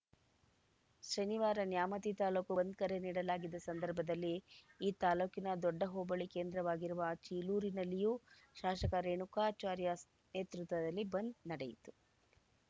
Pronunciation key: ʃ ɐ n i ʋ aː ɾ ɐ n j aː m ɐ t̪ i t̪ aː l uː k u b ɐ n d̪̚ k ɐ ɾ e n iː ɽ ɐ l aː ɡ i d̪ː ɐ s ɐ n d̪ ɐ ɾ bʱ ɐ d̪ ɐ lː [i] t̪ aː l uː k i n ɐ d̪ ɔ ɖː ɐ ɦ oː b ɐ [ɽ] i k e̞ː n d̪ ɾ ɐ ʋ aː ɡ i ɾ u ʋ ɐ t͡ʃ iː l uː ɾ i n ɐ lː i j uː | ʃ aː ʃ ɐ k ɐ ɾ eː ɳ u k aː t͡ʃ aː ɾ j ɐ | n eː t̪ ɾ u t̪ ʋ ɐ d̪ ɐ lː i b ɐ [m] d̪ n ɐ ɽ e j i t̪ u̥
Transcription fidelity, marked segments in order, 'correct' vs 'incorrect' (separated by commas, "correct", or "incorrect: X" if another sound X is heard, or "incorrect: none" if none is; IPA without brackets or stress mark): incorrect: iː, incorrect: ɭ, incorrect: n